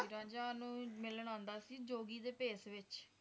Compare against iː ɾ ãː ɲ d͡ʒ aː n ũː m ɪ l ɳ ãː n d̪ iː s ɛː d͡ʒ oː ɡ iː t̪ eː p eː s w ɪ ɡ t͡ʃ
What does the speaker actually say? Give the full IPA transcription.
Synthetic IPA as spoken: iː ɾ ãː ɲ d͡ʒ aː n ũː m ɪ l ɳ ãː n d̪ aː s iː d͡ʒ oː ɡ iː d̪ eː p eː s ʋ ɪ t͡ʃ